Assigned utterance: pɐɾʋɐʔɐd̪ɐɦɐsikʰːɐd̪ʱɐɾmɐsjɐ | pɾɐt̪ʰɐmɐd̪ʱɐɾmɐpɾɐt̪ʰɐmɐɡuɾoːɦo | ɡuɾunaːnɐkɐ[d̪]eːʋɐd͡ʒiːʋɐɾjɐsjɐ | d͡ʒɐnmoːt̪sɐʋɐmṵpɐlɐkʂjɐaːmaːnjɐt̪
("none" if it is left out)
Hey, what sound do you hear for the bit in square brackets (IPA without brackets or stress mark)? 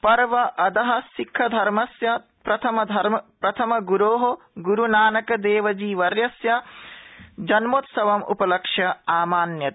d̪